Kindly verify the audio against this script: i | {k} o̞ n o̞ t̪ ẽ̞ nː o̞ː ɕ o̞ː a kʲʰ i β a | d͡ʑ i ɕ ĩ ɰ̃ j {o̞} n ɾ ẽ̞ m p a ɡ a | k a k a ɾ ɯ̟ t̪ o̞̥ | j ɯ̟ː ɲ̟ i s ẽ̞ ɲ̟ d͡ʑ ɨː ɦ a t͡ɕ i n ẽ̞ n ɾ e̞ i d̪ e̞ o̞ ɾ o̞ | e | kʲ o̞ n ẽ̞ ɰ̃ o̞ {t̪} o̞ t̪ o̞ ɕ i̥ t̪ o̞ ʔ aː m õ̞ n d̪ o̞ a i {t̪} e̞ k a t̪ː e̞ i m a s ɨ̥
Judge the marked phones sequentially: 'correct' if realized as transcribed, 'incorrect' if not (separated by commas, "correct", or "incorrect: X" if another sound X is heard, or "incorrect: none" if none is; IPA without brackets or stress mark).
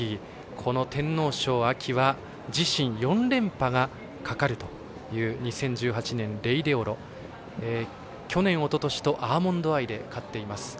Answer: incorrect: kʰ, incorrect: õ̞, correct, incorrect: d̪